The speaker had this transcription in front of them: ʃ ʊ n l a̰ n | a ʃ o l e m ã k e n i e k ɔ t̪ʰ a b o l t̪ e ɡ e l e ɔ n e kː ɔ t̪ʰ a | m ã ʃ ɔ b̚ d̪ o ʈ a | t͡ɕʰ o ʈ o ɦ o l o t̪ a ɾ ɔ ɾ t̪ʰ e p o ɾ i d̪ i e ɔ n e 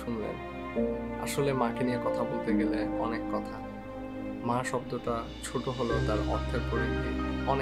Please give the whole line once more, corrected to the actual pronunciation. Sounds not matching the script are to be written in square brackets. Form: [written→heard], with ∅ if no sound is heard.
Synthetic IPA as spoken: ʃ [ʊ→u] n l [a̰→ḛ] n | a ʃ o l e m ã k e n i e k ɔ t̪ʰ a b o l t̪ e ɡ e l e ɔ n e kː ɔ t̪ʰ a | m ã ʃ ɔ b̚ d̪ o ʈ a | t͡ɕʰ o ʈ o ɦ o l o t̪ a ɾ ɔ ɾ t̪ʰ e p o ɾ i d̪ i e ɔ n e